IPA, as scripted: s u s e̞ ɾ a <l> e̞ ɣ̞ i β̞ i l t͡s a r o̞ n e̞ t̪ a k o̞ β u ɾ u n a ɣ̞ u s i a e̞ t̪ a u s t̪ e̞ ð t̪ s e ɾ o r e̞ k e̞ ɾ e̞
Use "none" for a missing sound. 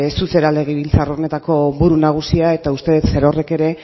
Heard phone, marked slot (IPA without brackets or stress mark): l